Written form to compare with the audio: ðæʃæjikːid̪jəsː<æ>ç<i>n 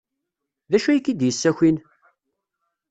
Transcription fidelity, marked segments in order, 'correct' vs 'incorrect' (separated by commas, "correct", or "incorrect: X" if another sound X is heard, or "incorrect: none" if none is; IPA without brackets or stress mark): correct, correct